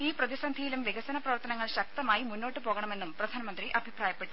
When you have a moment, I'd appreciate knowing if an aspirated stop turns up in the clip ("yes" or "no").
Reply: no